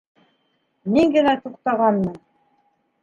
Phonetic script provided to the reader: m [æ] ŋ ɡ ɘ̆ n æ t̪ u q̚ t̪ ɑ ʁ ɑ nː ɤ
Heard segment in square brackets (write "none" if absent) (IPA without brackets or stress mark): i